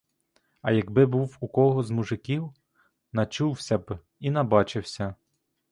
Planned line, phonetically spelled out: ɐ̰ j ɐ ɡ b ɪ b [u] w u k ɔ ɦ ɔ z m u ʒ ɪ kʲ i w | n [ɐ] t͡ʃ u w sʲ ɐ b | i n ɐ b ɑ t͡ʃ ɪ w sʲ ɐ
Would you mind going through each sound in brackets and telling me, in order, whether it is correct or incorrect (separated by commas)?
correct, correct